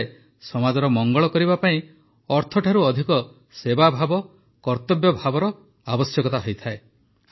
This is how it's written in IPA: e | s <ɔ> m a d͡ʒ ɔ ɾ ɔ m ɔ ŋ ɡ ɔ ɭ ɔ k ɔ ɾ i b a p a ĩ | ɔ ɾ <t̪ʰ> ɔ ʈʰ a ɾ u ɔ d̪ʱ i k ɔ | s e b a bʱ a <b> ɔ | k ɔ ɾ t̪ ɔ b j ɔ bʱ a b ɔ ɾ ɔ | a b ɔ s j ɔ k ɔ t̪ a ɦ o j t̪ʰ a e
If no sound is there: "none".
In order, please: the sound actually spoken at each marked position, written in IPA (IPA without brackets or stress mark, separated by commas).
ɔ, t̪ʰ, b